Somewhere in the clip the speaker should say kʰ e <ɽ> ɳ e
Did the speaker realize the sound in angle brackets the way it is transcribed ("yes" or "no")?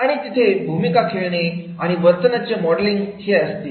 no